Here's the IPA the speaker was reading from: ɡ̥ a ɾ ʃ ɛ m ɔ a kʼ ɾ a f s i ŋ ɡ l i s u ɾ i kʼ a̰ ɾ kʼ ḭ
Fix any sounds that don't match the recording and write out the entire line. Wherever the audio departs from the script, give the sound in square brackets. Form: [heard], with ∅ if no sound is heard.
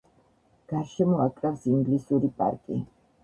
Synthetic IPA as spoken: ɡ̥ a ɾ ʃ ɛ m ɔ a kʼ ɾ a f s i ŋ ɡ l i s u ɾ i [pʼ] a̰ ɾ kʼ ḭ